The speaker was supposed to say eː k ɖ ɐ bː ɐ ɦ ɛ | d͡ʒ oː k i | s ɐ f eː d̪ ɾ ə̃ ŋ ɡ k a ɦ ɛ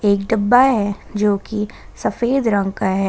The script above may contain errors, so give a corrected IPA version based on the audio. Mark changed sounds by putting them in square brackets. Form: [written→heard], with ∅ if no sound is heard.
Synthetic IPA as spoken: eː k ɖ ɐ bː [ɐ→a] ɦ ɛ | d͡ʒ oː k i | s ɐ f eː d̪ ɾ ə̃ ŋ ɡ k a ɦ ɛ